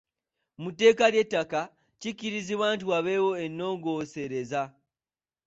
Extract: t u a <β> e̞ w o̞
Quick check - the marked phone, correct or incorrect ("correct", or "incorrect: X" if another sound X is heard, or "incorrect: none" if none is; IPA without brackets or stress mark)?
correct